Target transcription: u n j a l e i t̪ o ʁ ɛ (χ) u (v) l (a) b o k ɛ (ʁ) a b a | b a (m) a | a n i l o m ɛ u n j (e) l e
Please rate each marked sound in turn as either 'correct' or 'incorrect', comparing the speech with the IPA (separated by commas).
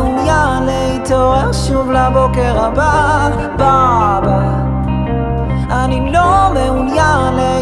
incorrect, correct, correct, correct, incorrect, incorrect